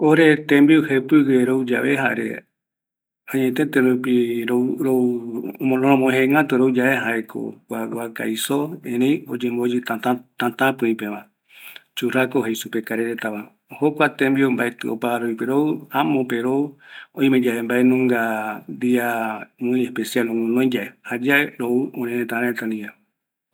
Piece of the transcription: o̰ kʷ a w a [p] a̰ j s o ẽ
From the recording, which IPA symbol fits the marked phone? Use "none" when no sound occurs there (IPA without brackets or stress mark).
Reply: k